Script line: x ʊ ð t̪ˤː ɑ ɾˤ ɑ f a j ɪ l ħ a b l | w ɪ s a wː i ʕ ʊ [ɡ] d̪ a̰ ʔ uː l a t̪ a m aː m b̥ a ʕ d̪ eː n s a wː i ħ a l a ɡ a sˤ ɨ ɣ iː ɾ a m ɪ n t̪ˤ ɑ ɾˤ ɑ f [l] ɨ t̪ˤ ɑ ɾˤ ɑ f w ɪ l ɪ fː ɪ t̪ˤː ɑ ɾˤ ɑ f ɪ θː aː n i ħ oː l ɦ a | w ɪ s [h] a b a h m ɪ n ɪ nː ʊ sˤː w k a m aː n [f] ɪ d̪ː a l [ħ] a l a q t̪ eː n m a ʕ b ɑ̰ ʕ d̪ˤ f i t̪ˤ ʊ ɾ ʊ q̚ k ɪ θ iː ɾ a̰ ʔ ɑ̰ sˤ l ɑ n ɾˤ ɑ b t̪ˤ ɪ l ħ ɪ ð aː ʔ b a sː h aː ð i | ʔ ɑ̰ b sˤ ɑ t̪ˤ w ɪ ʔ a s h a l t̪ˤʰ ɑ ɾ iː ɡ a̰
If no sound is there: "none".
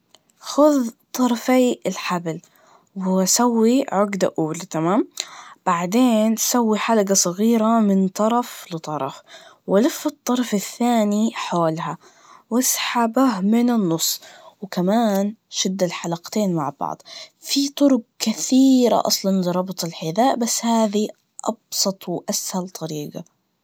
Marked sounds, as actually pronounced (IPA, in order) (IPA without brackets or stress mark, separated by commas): ɡ, l, ħ, ʃ, ħ